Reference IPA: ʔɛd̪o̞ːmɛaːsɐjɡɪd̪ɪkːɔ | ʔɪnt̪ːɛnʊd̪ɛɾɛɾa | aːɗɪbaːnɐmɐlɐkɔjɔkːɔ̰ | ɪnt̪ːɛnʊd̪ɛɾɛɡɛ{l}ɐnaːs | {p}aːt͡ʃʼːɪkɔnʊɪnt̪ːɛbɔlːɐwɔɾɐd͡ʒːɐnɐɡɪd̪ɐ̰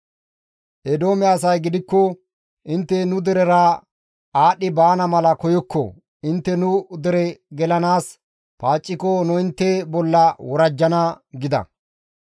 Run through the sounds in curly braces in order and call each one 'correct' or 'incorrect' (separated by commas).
correct, correct